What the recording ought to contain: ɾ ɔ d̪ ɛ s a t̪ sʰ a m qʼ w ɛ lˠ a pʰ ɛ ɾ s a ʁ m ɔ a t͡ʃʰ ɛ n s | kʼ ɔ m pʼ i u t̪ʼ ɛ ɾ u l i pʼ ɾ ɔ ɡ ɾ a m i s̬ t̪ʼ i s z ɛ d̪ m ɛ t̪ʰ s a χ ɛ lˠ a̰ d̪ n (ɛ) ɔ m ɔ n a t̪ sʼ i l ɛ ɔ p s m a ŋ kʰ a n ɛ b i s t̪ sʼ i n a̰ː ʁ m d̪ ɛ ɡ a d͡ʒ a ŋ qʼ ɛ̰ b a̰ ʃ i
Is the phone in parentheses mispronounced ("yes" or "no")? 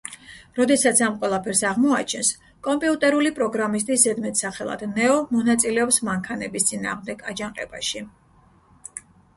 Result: no